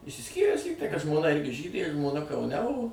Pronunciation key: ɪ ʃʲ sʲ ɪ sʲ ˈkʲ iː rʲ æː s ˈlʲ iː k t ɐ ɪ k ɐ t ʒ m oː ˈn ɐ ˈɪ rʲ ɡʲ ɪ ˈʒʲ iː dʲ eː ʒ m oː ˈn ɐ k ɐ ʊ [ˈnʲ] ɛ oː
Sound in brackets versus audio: correct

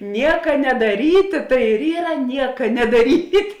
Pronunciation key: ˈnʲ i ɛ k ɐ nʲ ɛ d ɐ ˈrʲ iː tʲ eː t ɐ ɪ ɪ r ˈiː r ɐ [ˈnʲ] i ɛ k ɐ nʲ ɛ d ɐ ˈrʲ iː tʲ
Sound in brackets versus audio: correct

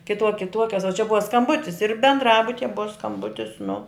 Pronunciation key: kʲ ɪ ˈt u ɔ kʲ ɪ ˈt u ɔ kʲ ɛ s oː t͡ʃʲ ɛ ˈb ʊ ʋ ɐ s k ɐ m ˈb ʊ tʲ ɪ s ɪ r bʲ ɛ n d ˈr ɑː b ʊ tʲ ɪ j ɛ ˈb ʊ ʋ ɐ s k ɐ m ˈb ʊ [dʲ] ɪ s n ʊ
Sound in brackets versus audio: incorrect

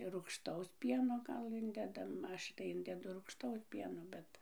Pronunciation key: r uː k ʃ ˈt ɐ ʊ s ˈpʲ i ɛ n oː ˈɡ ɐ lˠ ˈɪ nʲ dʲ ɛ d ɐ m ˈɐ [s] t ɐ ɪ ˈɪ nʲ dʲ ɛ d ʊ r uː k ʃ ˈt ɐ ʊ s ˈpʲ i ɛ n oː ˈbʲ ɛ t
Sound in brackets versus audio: incorrect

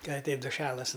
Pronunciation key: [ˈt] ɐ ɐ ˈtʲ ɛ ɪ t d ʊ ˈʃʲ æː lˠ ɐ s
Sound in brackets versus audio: incorrect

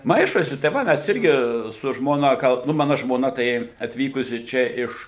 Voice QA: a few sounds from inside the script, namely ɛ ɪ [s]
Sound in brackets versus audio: incorrect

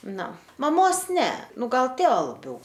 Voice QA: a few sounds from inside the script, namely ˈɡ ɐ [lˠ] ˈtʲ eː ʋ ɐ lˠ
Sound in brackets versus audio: correct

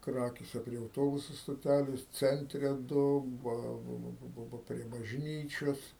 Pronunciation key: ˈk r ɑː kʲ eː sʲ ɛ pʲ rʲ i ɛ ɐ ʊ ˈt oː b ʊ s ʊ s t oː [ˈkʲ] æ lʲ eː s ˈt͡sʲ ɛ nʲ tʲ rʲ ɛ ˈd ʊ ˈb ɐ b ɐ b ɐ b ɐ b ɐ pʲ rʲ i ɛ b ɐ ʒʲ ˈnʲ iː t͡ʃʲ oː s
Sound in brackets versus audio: incorrect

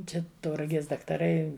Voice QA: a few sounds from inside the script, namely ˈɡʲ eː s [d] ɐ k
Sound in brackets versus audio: correct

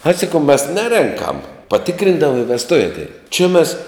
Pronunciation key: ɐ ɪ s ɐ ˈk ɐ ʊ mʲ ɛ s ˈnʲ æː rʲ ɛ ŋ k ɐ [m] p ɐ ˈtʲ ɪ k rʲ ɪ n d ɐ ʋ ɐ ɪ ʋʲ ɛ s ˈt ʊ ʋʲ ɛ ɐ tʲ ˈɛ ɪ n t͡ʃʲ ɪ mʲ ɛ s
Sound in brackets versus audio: correct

